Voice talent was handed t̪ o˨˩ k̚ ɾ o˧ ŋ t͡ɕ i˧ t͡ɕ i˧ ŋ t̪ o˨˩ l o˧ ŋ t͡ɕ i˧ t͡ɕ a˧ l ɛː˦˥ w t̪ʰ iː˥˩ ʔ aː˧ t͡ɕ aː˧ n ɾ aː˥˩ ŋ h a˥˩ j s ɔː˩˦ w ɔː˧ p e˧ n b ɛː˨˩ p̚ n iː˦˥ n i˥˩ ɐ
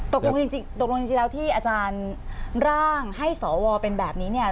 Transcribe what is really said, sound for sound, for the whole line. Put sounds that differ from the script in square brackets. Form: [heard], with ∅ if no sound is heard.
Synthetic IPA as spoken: t̪ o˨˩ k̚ [l] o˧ ŋ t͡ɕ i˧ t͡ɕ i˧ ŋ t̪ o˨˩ l o˧ ŋ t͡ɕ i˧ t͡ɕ [i˧] l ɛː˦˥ w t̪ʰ iː˥˩ ʔ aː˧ t͡ɕ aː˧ n ɾ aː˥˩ ŋ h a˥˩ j s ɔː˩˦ w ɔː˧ p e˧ n b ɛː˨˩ p̚ n iː˦˥ n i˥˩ ɐ